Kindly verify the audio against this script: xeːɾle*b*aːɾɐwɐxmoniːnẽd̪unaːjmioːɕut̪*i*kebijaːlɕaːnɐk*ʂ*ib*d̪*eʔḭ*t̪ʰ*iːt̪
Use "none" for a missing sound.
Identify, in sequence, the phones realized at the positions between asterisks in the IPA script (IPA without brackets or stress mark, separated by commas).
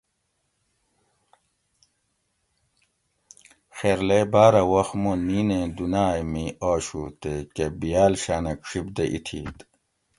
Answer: b, e, ʂ, d̪, t̪ʰ